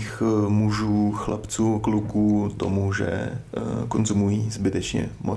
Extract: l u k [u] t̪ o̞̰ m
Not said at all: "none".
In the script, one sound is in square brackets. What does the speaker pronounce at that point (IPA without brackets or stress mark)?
uː